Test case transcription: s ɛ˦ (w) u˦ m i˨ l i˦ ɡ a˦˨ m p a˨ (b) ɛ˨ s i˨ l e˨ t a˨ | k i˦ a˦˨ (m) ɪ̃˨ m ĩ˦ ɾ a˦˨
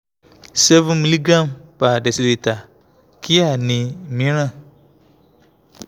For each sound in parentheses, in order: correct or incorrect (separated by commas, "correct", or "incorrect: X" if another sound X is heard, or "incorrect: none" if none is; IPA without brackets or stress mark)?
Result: incorrect: v, incorrect: d, incorrect: n